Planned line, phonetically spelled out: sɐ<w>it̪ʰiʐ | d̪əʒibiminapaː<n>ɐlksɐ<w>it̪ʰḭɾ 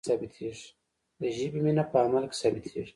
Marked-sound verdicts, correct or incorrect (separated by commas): incorrect, incorrect, incorrect